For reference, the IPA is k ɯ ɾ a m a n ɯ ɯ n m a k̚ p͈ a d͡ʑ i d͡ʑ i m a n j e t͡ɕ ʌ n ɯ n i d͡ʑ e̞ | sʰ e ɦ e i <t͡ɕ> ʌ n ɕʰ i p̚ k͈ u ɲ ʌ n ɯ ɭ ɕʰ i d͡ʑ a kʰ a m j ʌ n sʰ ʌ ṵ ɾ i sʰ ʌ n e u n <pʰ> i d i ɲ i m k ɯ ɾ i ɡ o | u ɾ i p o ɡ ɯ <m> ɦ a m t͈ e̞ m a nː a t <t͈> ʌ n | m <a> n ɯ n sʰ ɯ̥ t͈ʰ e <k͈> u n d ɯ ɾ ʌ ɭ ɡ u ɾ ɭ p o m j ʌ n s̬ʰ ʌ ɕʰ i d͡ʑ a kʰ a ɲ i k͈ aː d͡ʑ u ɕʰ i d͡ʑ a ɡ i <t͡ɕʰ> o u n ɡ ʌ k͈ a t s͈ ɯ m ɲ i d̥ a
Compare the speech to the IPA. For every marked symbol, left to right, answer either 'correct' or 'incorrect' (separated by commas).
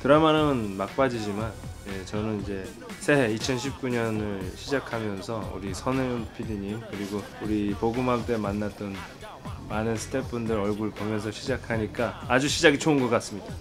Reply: incorrect, correct, correct, correct, correct, incorrect, correct